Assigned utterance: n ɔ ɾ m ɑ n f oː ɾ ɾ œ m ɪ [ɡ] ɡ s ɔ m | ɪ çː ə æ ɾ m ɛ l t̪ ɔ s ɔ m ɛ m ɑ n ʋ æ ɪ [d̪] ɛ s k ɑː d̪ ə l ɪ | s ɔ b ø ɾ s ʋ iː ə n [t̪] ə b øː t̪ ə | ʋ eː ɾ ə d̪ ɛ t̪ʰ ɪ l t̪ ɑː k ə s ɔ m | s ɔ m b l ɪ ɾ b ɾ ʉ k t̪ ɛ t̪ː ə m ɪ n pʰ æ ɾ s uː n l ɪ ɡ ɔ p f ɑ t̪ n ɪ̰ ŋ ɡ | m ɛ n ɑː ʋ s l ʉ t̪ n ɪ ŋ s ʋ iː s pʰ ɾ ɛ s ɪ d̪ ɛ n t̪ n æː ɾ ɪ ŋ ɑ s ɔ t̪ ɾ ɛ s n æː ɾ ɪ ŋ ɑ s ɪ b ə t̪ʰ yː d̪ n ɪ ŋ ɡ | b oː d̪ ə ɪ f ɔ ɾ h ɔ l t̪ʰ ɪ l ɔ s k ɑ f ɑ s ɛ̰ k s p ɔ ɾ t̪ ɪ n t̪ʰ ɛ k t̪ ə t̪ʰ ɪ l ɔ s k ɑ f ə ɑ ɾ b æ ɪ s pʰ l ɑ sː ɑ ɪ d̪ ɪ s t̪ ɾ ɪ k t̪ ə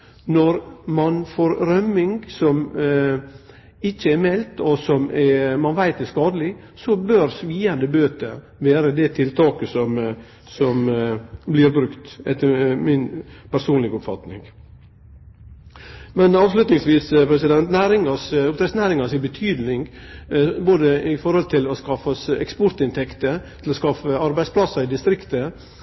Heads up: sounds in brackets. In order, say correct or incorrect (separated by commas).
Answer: incorrect, incorrect, incorrect